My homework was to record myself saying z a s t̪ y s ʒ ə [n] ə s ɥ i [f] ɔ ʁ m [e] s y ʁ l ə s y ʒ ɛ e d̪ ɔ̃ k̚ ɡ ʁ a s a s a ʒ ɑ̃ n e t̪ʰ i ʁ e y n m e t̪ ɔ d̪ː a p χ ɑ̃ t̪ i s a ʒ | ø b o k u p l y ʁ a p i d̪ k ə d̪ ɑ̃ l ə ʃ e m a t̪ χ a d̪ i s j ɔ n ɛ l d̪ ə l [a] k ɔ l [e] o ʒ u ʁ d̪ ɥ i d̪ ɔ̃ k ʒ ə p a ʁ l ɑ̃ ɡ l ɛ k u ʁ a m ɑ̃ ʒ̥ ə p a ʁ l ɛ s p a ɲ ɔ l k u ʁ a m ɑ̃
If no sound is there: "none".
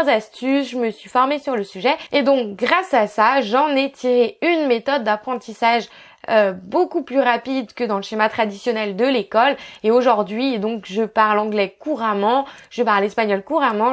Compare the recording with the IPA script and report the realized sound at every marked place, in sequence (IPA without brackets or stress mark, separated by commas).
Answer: m, f, e, e, e